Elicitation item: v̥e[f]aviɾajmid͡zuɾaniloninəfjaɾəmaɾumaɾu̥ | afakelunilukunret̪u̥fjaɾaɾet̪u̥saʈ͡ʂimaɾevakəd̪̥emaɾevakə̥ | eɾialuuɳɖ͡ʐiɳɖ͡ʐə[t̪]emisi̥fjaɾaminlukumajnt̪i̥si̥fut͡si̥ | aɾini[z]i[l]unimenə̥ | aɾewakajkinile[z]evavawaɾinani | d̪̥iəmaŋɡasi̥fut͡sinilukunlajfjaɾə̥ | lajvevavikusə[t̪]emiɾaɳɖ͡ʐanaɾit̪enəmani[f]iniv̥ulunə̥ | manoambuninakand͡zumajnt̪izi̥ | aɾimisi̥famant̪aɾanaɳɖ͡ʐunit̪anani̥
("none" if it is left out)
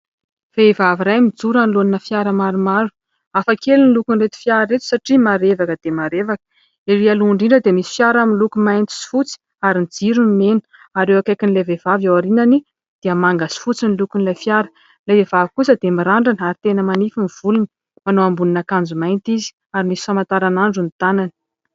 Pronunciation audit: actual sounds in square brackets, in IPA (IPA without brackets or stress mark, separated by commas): v, d̪, d͡z, ɾ, v, d̪, f